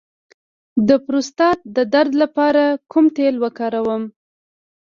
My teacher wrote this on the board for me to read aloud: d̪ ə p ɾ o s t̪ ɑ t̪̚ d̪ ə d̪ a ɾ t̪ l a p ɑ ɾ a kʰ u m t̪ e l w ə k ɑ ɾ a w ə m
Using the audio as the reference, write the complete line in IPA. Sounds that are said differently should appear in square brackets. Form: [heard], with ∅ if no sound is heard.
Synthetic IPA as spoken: d̪ ə p ɾ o s t̪ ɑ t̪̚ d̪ ə d̪ a ɾ [d̪] l a p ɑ ɾ a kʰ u m t̪ e l w ə k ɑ ɾ a w ə m